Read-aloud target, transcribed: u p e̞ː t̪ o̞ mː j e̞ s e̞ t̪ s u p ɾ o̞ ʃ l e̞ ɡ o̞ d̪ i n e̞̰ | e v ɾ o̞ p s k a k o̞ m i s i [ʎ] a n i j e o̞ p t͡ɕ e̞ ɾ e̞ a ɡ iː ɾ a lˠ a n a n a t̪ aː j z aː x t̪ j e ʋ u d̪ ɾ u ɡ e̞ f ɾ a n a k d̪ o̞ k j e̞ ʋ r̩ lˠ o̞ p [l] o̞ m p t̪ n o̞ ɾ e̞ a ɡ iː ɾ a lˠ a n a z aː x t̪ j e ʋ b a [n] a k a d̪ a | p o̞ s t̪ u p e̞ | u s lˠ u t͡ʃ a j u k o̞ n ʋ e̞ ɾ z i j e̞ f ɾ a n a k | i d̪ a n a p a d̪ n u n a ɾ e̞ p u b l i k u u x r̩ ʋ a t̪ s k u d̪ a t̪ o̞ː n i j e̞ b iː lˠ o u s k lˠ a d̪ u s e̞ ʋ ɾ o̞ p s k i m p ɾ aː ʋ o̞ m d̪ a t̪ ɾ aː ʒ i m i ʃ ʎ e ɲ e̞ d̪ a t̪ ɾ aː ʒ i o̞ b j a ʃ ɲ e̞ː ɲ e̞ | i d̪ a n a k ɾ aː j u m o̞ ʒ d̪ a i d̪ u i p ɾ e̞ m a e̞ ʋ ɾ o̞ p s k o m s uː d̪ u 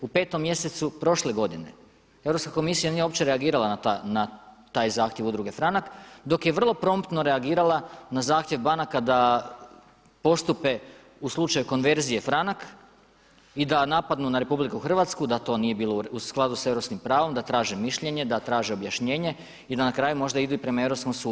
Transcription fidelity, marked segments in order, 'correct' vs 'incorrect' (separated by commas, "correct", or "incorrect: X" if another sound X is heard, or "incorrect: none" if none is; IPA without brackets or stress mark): incorrect: j, incorrect: ɾ, correct